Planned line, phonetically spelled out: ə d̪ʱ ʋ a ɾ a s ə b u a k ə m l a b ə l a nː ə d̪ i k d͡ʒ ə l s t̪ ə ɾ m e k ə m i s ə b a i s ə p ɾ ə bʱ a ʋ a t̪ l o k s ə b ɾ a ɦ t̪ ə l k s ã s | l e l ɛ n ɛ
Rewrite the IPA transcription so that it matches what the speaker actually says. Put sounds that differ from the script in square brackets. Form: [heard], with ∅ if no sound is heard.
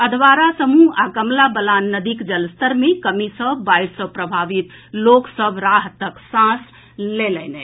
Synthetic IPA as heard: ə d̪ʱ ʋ a ɾ a s ə [m] u a k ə m l a b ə l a nː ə d̪ i k d͡ʒ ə l s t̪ ə ɾ m e k ə m i s ə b a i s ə p ɾ ə bʱ a ʋ [i] t̪ l o k s ə b ɾ a ɦ t̪ ə [∅] k s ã s | l e l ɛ n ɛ

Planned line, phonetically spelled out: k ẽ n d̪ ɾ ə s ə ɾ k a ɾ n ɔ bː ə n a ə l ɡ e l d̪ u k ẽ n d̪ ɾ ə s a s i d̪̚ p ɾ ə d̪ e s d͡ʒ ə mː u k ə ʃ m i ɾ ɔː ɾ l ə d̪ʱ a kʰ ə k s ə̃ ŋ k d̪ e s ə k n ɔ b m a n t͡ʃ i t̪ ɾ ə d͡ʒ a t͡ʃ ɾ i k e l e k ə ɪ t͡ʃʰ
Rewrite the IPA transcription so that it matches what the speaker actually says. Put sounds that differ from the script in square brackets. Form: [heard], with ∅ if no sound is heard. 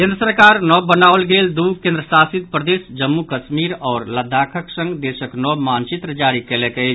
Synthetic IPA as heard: k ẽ n d̪ ɾ ə s ə ɾ k a ɾ n ɔ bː ə n a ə l ɡ e l d̪ u k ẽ n d̪ ɾ ə s a s i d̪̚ p ɾ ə d̪ e s d͡ʒ ə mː u k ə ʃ m i ɾ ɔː ɾ l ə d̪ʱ a kʰ ə k s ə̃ ŋ [ɡ] d̪ e s ə k n ɔ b m a n t͡ʃ i t̪ ɾ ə d͡ʒ a [∅] ɾ i k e l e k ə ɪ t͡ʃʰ

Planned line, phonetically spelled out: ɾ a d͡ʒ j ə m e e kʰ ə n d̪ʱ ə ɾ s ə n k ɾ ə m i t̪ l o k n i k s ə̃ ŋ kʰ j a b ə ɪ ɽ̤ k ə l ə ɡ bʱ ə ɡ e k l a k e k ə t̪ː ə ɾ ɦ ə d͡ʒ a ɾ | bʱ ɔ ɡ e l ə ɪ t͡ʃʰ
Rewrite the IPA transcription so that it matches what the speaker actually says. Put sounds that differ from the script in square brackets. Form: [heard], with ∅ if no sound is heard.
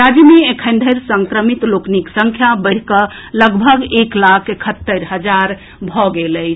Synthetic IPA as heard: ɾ a d͡ʒ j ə m e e kʰ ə n d̪ʱ ə ɾ s ə [ŋ] k ɾ ə m i t̪ l o k n i k s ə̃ ŋ kʰ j a b ə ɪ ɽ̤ k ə l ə ɡ bʱ ə ɡ e k l a [kʰ] e [kʰ] ə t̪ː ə ɾ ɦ ə d͡ʒ a ɾ | bʱ ɔ ɡ e l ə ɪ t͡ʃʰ

